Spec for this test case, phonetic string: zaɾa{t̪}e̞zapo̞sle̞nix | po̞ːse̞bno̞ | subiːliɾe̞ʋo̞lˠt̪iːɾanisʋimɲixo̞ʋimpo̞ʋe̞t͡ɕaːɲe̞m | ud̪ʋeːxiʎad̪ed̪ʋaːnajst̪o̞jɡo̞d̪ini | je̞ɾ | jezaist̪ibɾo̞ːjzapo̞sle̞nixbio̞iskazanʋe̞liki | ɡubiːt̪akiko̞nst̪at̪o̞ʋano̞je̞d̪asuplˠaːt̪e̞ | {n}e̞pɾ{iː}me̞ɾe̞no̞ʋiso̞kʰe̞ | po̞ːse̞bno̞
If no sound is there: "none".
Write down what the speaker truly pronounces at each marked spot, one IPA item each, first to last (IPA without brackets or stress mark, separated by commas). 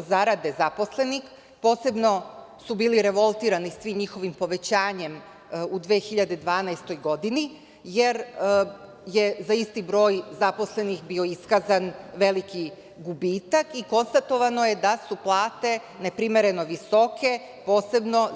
d̪, n, i